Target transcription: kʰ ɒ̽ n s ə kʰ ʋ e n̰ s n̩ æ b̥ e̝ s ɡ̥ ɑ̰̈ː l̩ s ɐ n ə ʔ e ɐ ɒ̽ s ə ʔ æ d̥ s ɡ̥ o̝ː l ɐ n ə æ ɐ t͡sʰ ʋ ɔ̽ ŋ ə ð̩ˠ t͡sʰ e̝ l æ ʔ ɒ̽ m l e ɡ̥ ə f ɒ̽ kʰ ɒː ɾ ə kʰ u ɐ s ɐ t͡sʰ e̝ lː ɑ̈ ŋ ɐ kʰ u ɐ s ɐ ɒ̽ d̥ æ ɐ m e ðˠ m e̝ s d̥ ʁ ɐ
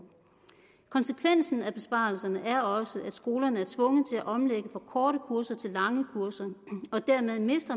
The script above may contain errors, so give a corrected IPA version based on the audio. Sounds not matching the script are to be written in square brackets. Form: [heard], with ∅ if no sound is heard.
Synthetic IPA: kʰ ɒ̽ n s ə kʰ ʋ e n̰ s n̩ æ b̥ e̝ s [b̥] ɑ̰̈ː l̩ s ɐ n ə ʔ [æ] ɐ ɒ̽ s ə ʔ æ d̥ s ɡ̥ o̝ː l ɐ n ə æ ɐ t͡sʰ ʋ ɔ̽ ŋ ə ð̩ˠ t͡sʰ e̝ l æ ʔ ɒ̽ m l e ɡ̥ ə f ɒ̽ kʰ ɒː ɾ ə kʰ u ɐ s ɐ t͡sʰ e̝ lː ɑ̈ ŋ [ə] kʰ u ɐ s ɐ ɒ̽ d̥ æ ɐ m e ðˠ m e̝ s d̥ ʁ ɐ